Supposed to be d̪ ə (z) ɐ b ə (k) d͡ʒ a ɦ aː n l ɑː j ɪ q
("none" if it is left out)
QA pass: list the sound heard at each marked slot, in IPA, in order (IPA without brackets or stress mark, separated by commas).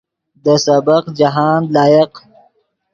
s, q